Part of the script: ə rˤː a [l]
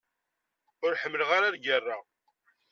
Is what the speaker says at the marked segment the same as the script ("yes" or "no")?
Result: no